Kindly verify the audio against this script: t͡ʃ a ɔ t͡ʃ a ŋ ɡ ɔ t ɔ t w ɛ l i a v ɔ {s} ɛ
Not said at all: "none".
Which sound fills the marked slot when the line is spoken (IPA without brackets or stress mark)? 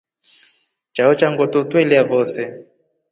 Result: s